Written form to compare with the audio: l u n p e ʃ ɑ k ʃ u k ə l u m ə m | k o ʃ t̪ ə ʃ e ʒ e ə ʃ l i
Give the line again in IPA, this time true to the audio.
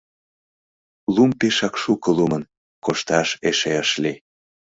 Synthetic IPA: l u m p e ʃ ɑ k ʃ u k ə l u m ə n | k o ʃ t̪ ɑ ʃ e ʃ e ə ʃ l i